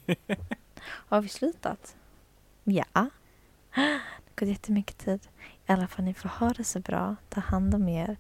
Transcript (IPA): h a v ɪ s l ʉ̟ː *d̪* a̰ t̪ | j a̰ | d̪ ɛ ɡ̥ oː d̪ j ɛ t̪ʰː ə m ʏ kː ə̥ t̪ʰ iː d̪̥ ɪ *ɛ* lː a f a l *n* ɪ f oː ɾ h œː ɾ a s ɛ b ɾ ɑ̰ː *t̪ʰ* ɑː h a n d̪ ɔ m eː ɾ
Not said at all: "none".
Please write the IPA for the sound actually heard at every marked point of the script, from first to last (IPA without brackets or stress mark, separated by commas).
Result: t̪, a, n, t̪ʰ